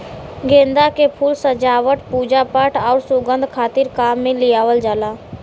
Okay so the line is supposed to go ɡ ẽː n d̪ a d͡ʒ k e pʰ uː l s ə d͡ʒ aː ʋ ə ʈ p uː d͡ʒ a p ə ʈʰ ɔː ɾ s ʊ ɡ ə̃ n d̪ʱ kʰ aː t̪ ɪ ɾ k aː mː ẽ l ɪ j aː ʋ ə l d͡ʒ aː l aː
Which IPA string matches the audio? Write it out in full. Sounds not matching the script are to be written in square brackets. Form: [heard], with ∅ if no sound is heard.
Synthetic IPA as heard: ɡ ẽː n d̪ a [∅] k e pʰ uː l s ə d͡ʒ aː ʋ ə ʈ p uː d͡ʒ a p ə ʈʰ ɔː ɾ s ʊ ɡ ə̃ n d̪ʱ kʰ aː t̪ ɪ ɾ k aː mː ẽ l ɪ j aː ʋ ə l d͡ʒ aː l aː